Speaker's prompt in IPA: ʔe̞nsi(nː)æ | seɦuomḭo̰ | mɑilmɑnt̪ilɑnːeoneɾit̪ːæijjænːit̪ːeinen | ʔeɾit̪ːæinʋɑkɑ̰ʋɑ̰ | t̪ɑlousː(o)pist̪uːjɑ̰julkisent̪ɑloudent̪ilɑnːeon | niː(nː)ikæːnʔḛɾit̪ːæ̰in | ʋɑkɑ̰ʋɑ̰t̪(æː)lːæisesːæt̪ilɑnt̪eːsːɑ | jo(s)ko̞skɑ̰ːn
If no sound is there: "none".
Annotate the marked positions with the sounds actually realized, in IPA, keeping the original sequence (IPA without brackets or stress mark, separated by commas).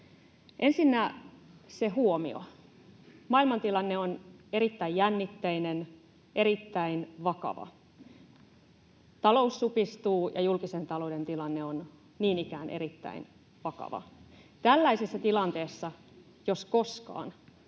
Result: nː, u, n, æ, s